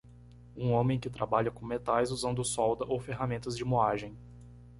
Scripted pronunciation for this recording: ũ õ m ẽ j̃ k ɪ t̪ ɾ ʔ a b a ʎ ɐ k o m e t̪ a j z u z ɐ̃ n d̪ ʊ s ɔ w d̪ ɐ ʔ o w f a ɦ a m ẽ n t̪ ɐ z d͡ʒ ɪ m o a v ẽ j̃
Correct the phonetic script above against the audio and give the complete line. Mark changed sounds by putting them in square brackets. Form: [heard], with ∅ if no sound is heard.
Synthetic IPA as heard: ũ õ m ẽ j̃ k ɪ t̪ ɾ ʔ a b a ʎ ɐ k [õ] m e t̪ a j z u z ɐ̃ n d̪ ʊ s ɔ w d̪ ɐ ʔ o w f [e] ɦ a m ẽ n t̪ ɐ z d͡ʒ ɪ m o a [ʒ] ẽ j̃